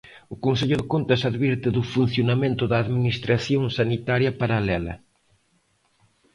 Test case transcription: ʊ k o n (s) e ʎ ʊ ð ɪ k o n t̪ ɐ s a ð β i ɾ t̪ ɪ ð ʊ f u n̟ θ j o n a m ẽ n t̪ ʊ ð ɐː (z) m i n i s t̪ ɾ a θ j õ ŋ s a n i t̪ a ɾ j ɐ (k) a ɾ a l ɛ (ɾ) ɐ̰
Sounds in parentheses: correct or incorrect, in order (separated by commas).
correct, incorrect, incorrect, incorrect